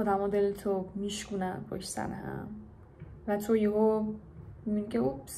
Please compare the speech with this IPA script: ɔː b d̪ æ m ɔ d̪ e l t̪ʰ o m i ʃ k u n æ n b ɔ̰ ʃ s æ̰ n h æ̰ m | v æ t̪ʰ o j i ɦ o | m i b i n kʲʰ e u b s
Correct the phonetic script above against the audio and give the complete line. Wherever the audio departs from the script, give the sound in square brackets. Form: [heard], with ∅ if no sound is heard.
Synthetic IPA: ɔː [∅] d̪ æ m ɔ d̪ e l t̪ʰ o m i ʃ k u n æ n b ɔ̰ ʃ s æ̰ n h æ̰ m | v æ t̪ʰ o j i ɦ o | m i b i n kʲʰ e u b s